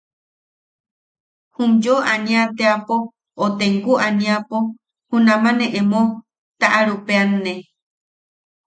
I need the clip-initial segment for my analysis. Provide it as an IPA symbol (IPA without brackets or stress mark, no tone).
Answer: h